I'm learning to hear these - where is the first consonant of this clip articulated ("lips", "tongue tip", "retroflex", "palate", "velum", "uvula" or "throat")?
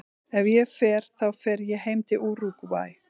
lips